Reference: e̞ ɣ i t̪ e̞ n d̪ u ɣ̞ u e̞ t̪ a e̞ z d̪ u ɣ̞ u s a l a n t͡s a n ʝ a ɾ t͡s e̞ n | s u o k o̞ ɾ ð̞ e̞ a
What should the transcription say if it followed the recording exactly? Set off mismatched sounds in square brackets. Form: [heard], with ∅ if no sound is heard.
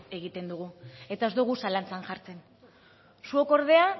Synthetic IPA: e̞ ɣ i t̪ e̞ n d̪ u ɣ̞ u e̞ t̪ a e̞ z d̪ u ɣ̞ u s a l a n t͡s a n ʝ a ɾ t͡s e̞ n | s u o k o̞ ɾ ð̞ e̞ a

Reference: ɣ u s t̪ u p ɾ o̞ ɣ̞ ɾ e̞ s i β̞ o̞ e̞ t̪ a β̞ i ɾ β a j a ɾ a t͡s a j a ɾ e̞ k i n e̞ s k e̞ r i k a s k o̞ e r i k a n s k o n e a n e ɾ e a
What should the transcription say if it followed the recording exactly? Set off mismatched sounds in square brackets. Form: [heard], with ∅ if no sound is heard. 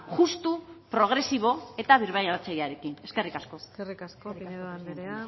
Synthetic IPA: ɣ u s t̪ u p ɾ o̞ ɣ̞ ɾ e̞ s i β̞ o̞ e̞ t̪ a β̞ i ɾ β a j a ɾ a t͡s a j a ɾ e̞ k i n e̞ s k e̞ r i k a s k o̞ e r i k a [∅] s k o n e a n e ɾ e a

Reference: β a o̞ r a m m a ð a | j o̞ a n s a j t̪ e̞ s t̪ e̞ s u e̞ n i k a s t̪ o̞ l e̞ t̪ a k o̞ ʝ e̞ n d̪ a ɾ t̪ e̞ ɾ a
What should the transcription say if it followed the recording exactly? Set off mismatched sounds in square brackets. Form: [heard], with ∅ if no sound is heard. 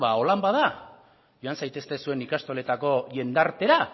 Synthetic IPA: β a o̞ [l] a m [b] a ð a | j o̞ a n s a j t̪ e̞ s t̪ e̞ s u e̞ n i k a s t̪ o̞ l e̞ t̪ a k o̞ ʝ e̞ n d̪ a ɾ t̪ e̞ ɾ a

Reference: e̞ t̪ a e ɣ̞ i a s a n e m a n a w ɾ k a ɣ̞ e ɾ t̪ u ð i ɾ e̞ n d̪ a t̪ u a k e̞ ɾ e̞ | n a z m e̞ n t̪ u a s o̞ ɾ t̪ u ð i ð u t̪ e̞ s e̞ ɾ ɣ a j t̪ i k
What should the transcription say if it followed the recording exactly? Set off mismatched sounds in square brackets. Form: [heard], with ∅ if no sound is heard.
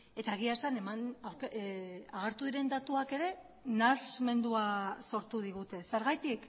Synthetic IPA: e̞ t̪ a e ɣ̞ i a s a n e m a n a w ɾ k a ɣ̞ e ɾ t̪ u ð i ɾ e̞ n d̪ a t̪ u a k e̞ ɾ e̞ | n a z m e̞ n [d̪] u a s o̞ ɾ t̪ u ð i [ɣ] u t̪ e̞ s e̞ ɾ ɣ a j t̪ i k

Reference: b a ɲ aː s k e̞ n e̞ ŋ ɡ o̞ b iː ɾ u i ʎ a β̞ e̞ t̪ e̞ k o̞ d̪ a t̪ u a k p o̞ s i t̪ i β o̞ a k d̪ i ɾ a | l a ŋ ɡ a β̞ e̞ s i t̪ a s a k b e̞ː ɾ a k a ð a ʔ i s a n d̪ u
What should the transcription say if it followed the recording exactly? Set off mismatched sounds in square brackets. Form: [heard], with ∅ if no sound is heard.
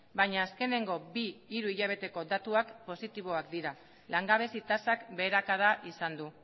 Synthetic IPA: b a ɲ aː s k e̞ n e̞ ŋ ɡ o̞ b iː ɾ u i ʎ a β̞ e̞ t̪ e̞ k o̞ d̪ a t̪ u a k p o̞ s i t̪ i β o̞ a k d̪ i ɾ a | l a ŋ ɡ a β̞ e̞ s i t̪ a s a k b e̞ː ɾ a k a ð a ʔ i s a n d̪ u

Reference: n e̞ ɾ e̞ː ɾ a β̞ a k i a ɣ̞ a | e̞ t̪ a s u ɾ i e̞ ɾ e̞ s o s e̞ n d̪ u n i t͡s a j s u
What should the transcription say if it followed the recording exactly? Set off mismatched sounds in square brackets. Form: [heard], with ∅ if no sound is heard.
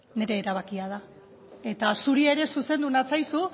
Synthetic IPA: n e̞ ɾ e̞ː ɾ a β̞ a k i a [ð̞] a | e̞ t̪ a s u ɾ i e̞ ɾ e̞ s [u] s e̞ n d̪ u n [a] t͡s a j s u

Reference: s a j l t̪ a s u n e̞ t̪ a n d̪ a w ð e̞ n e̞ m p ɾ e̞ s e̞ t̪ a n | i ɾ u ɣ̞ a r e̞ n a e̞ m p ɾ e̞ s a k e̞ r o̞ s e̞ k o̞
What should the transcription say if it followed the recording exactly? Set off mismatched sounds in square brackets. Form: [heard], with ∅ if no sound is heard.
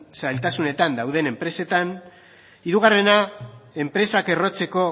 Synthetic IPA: s a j l t̪ a s u n e̞ t̪ a n d̪ a w ð e̞ n e̞ m p ɾ e̞ s e̞ t̪ a n | i ɾ u ɣ̞ a r e̞ n a e̞ m p ɾ e̞ s a k e̞ r o̞ [t͡s] e̞ k o̞

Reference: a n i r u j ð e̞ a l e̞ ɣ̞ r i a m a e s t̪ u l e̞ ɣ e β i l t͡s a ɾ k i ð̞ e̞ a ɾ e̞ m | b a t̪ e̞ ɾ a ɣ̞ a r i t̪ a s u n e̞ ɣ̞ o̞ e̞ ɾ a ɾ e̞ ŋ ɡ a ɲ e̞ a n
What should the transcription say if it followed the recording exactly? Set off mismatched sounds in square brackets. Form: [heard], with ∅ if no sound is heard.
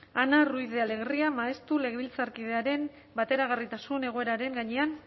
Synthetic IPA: a n [a] r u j ð e̞ a l e̞ ɣ̞ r i a m a e s t̪ u l e̞ ɣ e β i l t͡s a ɾ k i ð̞ e̞ a ɾ e̞ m | b a t̪ e̞ ɾ a ɣ̞ a r i t̪ a s u n e̞ ɣ̞ o̞ e̞ ɾ a ɾ e̞ ŋ ɡ a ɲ e̞ a n

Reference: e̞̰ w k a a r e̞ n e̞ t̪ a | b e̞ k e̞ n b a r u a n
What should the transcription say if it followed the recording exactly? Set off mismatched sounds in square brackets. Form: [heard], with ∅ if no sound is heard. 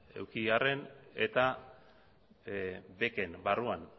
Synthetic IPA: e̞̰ w k [i] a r e̞ n e̞ t̪ a | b e̞ k e̞ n b a r u a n

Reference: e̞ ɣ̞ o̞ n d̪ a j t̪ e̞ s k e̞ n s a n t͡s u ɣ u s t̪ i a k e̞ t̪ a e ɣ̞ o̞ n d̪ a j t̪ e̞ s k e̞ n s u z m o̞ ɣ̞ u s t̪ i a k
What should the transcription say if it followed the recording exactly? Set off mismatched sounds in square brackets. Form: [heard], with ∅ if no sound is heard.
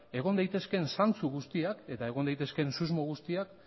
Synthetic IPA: e̞ ɣ̞ o̞ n d̪ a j t̪ e̞ s k e̞ n s a n t͡s u ɣ u s t̪ i a k e̞ t̪ a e ɣ̞ o̞ n d̪ a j t̪ e̞ s k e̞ n s u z m o̞ ɣ̞ u s t̪ i a k

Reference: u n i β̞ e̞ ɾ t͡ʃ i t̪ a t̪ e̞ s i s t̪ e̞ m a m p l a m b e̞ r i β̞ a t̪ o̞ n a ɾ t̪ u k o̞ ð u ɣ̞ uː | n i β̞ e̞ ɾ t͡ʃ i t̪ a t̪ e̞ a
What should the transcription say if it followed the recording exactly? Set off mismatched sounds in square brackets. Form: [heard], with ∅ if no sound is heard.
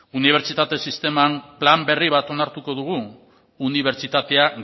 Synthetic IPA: u n i β̞ e̞ ɾ t͡ʃ i t̪ a t̪ e̞ s i s t̪ e̞ m a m p l a m b e̞ r i β̞ a t̪ o̞ n a ɾ t̪ u k o̞ ð u ɣ̞ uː | n i β̞ e̞ ɾ t͡ʃ i t̪ a t̪ e̞ a

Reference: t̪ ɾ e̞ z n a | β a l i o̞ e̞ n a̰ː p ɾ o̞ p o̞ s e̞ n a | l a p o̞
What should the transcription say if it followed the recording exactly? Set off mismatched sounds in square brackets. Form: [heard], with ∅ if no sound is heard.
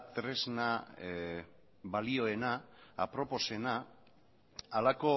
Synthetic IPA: t̪ ɾ e̞ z n a | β a l i o̞ e̞ n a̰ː p ɾ o̞ p o̞ s e̞ n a | l a [k] o̞

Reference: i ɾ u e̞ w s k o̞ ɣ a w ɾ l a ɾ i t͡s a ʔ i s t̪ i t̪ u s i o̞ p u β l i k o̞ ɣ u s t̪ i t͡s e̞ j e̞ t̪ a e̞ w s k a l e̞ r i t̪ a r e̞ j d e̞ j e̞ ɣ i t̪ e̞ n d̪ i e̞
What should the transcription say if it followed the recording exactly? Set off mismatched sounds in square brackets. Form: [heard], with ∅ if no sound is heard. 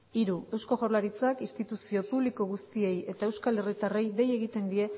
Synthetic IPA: i ɾ u e̞ w s k o̞ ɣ a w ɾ l a ɾ i t͡s a [k] i s t̪ i t̪ u s i o̞ p u β l i k o̞ ɣ u s t̪ i [∅] e̞ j e̞ t̪ a e̞ w s k a l e̞ r i t̪ a r e̞ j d e̞ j e̞ ɣ i t̪ e̞ n d̪ i e̞

